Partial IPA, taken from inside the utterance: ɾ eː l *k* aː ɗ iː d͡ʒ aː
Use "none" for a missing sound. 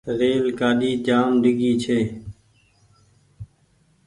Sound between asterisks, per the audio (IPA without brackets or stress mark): k